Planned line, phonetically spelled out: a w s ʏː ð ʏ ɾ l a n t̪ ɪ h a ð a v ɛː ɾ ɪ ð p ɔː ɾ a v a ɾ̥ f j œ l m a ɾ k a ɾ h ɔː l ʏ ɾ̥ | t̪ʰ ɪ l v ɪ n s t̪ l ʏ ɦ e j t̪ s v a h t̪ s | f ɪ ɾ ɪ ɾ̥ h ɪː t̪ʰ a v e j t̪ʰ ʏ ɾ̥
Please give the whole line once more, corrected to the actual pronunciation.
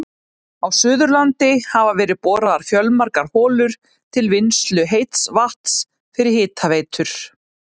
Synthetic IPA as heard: a w s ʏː ð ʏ ɾ l a n t̪ ɪ h a v a v ɛː ɾ ɪ ð p ɔː ɾ a ð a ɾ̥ f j œ l m a ɾ k a ɾ h ɔː l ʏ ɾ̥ | t̪ʰ ɪ l v ɪ n s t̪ l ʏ ɦ e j t̪ s v a h t̪ s | f ɪ ɾ ɪ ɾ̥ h ɪː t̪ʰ a v e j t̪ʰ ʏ ɾ̥